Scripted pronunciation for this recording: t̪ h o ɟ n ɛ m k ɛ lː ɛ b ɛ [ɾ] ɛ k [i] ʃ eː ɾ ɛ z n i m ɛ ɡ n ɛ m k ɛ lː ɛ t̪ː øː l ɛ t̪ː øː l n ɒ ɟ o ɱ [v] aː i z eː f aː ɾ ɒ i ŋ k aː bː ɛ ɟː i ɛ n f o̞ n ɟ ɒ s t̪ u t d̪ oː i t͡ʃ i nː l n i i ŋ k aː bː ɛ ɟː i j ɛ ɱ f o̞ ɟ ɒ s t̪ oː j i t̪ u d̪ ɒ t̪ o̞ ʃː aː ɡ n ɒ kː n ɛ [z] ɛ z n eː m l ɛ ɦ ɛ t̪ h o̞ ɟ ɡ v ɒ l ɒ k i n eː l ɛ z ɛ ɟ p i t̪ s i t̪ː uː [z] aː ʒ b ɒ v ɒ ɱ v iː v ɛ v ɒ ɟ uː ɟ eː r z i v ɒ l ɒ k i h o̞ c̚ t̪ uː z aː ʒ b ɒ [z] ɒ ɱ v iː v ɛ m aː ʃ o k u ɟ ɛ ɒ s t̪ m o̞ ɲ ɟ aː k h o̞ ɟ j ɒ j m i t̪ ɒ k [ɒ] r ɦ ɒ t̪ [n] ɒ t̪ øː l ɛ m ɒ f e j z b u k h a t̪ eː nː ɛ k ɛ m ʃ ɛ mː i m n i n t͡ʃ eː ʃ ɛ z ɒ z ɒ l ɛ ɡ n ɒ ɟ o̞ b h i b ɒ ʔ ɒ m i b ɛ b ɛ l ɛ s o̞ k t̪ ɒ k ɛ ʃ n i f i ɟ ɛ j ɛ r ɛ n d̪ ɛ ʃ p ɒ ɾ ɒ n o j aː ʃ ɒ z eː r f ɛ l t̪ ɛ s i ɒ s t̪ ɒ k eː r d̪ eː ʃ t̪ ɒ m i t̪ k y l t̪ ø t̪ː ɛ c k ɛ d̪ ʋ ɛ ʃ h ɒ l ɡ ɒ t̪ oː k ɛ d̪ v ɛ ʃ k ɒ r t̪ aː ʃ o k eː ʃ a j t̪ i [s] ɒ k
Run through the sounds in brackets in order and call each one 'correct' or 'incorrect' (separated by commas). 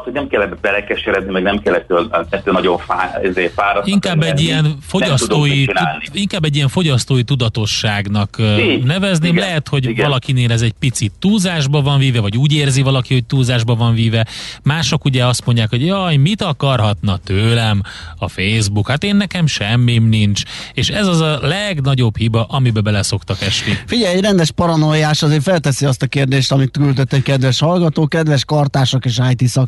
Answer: incorrect, incorrect, incorrect, incorrect, correct, incorrect, correct, correct, correct